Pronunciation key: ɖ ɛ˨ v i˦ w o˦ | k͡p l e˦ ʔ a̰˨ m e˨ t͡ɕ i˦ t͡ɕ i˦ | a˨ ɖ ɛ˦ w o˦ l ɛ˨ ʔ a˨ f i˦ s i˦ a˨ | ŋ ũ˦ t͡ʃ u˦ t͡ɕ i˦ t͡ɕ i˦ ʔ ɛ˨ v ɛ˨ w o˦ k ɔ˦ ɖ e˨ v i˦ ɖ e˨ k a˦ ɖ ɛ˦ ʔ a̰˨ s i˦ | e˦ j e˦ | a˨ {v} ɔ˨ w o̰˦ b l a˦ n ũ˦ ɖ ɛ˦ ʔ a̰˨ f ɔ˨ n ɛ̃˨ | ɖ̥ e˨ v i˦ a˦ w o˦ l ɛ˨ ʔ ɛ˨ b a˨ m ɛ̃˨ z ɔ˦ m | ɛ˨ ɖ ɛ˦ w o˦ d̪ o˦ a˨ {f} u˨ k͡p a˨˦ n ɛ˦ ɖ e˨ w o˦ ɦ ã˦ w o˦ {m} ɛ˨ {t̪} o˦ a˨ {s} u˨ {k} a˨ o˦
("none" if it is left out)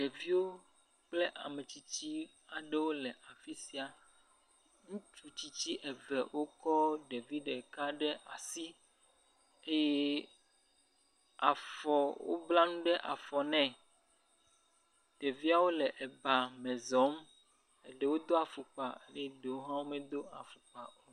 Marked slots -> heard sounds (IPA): f, f, m, d̪, f, k͡p

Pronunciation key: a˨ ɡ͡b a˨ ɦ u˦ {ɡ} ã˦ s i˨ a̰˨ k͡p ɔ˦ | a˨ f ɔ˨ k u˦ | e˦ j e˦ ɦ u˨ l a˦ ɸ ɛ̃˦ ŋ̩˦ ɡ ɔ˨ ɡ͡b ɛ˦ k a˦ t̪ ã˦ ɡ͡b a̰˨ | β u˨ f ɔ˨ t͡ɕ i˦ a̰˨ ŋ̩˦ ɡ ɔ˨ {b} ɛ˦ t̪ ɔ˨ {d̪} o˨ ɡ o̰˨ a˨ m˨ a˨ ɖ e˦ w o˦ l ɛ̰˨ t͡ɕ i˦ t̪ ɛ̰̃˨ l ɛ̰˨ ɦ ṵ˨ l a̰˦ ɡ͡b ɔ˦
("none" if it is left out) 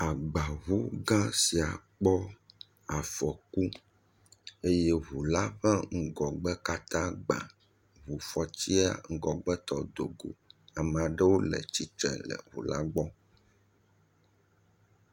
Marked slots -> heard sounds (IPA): ɡ, ɡ͡b, d̪

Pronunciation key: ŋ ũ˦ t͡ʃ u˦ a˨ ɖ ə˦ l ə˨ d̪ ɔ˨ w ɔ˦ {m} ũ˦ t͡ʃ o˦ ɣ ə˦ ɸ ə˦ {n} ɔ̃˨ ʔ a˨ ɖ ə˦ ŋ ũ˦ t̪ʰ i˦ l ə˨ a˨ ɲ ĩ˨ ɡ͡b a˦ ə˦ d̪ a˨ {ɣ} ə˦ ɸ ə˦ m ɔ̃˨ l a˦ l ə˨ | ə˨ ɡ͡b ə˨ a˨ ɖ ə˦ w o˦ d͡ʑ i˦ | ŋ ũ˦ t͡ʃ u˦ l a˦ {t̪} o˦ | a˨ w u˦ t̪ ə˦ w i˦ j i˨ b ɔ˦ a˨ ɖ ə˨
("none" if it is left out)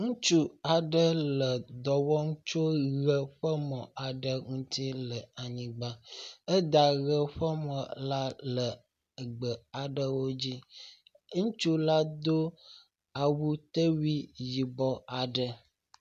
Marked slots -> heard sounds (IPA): ŋ, m, ɣ, d̪

